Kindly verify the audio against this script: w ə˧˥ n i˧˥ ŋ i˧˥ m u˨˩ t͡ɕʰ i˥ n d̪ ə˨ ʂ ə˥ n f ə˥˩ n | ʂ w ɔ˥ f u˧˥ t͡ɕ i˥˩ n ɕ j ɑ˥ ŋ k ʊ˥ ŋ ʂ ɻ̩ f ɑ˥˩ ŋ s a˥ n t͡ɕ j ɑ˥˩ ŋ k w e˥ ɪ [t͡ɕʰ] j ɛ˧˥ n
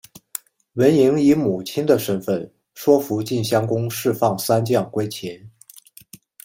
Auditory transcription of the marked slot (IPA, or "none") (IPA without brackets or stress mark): t͡ɕʰ